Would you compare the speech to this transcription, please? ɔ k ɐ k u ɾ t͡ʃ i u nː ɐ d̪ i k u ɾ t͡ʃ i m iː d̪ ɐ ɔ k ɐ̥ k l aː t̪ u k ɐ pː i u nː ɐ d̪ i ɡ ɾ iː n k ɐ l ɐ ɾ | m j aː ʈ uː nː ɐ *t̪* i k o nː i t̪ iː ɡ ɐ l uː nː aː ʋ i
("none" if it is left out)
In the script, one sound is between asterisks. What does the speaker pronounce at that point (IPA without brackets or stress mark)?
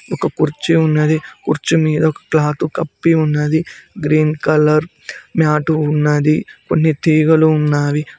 d̪